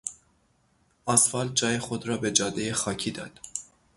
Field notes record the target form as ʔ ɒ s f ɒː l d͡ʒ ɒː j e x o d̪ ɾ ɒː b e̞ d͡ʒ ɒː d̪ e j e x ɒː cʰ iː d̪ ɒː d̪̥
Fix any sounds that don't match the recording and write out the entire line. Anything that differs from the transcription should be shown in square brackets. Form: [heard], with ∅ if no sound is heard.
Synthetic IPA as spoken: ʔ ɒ s f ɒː l d͡ʒ ɒː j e x o d̪ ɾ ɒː b e̞ d͡ʒ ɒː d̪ e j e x ɒː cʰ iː d̪ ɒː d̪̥

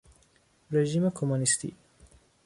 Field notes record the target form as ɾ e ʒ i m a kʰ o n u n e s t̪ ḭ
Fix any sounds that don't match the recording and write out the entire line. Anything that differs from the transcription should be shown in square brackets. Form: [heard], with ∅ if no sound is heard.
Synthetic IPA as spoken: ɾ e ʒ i m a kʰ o [m] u n [i] s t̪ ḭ

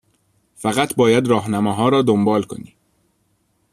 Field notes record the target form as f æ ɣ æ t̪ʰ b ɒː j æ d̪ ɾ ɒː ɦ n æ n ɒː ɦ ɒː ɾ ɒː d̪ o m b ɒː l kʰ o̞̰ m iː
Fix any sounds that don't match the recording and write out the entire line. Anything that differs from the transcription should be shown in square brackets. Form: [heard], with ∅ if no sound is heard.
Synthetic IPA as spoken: f æ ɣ æ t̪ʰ b ɒː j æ d̪ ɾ ɒː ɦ n æ [m] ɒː ɦ ɒː ɾ ɒː d̪ o m b ɒː l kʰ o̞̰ [n] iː

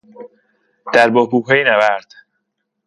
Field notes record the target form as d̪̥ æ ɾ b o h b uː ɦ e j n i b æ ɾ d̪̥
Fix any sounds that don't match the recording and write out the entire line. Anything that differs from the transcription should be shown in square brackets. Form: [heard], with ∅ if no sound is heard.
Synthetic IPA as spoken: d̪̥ æ ɾ b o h b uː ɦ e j n [æ] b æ ɾ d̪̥

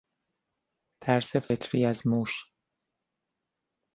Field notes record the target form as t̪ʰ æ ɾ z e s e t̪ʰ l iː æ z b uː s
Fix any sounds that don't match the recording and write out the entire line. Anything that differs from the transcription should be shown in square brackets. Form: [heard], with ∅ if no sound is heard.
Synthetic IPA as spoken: t̪ʰ æ ɾ [s] e [f] e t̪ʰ [ɾ] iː æ z [m] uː [ʃ]

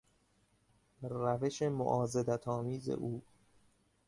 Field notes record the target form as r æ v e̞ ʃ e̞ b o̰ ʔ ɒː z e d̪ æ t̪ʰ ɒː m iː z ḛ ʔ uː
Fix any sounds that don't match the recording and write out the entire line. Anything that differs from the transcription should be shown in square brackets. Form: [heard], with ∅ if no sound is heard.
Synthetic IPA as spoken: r æ v e̞ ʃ e̞ [m] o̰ ʔ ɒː z e d̪ æ t̪ʰ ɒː m iː z ḛ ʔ uː

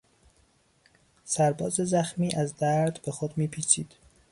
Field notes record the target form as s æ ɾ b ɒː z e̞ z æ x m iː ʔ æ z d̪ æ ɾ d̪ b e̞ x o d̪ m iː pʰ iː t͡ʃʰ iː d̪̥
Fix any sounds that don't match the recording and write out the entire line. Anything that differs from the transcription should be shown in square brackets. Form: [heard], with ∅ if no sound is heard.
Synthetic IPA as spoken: s æ ɾ b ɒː z e̞ z æ x m iː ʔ æ z d̪ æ ɾ d̪ b e̞ x o d̪ m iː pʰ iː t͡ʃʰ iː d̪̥

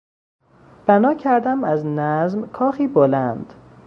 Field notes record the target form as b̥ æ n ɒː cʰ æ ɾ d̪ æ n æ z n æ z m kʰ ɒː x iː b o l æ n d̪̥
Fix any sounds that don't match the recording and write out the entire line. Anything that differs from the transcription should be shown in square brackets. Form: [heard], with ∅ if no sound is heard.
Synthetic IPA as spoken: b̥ æ n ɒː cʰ æ ɾ d̪ æ [m] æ z n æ z m kʰ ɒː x iː b o l æ n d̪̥

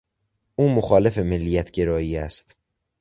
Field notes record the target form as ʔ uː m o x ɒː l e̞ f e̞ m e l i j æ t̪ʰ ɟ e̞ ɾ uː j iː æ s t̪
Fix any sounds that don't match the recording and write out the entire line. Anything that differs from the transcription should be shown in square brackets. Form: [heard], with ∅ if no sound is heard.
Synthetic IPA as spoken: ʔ uː m o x ɒː l e̞ f e̞ m e [lː] i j æ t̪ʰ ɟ e̞ ɾ [ɒː] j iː æ s t̪

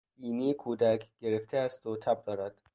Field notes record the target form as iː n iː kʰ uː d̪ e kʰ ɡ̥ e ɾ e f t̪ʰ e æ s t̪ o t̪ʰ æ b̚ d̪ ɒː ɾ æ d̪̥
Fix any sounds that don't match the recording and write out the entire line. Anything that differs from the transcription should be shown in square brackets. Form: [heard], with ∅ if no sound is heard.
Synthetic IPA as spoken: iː n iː kʰ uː d̪ [æ] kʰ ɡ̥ e ɾ e f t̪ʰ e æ s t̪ o t̪ʰ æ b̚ d̪ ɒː ɾ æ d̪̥

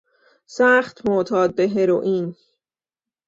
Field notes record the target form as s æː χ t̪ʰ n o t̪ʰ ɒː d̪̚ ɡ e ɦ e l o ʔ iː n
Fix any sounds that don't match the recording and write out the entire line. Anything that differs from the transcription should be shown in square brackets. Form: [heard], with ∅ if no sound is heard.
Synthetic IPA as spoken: s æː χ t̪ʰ [m] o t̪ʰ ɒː d̪̚ [b] e ɦ e [ɾ] o ʔ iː n

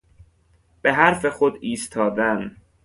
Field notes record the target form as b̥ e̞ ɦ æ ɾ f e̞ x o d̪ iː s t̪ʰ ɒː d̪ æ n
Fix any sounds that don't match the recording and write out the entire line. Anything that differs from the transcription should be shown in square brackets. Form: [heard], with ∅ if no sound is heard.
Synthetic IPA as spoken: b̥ e̞ ɦ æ ɾ f e̞ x o d̪ iː s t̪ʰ ɒː d̪ æ n

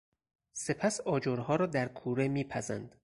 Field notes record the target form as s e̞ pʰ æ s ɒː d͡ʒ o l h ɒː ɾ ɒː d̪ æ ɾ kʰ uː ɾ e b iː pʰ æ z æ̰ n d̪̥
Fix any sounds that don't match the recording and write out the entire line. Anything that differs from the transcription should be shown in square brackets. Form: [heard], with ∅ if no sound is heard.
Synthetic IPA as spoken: s e̞ pʰ æ s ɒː d͡ʒ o [ɾ] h ɒː ɾ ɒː d̪ æ ɾ kʰ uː ɾ e [m] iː pʰ æ z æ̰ n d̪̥

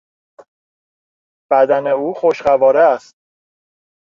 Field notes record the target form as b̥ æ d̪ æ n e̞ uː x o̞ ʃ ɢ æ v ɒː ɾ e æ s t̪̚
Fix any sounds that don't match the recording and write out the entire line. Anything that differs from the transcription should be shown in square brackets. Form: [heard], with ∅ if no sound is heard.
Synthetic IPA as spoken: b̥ æ d̪ æ n e̞ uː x o̞ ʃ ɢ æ v ɒː ɾ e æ s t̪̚

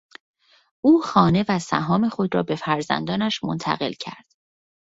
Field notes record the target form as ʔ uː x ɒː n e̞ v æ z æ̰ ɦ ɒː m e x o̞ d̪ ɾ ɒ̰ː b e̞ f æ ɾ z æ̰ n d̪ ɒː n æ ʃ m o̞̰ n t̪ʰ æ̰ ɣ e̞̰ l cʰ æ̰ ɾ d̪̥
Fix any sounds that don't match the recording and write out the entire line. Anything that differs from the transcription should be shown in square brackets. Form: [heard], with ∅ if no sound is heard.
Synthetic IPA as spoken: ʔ uː x ɒː n e̞ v æ [s] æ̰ ɦ ɒː m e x o̞ d̪ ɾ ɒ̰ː b e̞ f æ ɾ z æ̰ n d̪ ɒː n æ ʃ m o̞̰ n t̪ʰ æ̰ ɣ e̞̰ l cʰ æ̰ ɾ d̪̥

